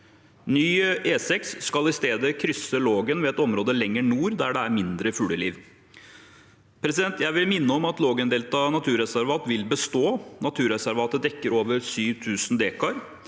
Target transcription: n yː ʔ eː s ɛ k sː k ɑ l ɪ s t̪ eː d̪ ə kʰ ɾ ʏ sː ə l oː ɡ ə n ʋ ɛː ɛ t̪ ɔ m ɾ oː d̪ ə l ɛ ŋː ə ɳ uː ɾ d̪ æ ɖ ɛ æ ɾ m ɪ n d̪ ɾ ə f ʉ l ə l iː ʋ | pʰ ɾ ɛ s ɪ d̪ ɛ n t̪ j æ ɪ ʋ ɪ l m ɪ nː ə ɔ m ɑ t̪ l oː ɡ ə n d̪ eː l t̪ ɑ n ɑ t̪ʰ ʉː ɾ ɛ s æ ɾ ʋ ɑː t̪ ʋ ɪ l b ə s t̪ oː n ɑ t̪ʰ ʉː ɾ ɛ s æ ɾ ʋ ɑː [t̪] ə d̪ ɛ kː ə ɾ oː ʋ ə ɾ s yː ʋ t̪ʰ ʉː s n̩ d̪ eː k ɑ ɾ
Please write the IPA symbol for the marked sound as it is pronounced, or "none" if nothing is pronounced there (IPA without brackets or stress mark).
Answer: t̪